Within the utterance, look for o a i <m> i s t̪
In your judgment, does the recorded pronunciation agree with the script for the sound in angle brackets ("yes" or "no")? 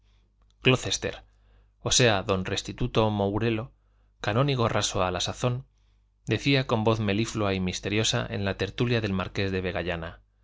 yes